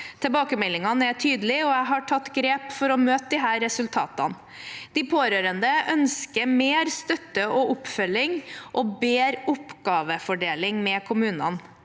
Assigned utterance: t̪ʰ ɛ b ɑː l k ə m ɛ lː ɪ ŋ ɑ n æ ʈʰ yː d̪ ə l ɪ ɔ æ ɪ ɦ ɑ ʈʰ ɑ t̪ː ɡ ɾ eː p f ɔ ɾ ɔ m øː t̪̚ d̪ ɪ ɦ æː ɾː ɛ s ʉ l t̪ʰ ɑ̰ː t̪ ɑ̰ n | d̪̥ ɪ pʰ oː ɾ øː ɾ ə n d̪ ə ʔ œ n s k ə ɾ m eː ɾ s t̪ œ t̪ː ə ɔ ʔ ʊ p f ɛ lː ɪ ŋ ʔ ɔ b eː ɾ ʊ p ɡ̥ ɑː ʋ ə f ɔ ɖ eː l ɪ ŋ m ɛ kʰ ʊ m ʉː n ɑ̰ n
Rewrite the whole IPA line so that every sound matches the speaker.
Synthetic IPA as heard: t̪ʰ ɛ b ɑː k ə m ɛ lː ɪ ŋ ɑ n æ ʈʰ yː d̪ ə l ɪ ɔ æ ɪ ɦ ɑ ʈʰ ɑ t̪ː ɡ ɾ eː p f ɔ ɾ ɔ m øː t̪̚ d̪ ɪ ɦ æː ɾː ɛ s ʉ l t̪ʰ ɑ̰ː t̪ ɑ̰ n | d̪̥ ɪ pʰ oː ɾ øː ɾ ə n d̪ ə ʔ œ n s k ə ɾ m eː ɾ s t̪ œ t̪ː ə ɔ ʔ ʊ p f œ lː ɪ ŋ ʔ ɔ b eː ɾ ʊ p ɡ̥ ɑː ʋ ə f ɔ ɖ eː l ɪ ŋ m ɛ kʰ ʊ m ʉː n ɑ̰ n